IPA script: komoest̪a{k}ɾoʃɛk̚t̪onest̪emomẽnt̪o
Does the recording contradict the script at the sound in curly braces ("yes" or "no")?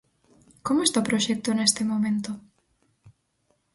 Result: yes